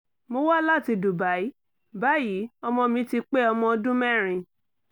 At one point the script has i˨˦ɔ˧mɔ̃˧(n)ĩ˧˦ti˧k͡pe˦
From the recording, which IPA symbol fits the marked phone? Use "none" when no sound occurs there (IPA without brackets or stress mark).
m